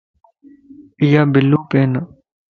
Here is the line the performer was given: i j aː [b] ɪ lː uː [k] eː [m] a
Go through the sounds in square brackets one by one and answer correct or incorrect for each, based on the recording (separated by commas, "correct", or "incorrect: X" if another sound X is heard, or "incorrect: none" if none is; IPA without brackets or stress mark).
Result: correct, incorrect: p, incorrect: n